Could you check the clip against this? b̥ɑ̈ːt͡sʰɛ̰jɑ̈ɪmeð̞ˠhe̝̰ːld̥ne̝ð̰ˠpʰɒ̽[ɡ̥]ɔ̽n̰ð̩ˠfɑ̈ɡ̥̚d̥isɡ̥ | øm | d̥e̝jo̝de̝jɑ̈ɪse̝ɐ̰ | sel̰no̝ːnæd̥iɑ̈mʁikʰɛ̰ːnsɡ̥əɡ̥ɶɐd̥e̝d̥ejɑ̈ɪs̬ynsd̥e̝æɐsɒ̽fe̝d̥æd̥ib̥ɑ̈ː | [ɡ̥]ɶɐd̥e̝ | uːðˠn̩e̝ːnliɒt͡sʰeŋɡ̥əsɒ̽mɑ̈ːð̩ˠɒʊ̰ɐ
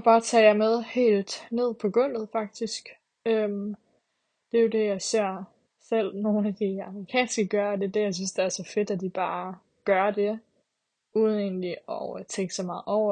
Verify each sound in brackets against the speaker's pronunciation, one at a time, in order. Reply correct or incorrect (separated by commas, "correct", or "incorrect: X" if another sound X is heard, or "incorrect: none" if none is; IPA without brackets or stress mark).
correct, correct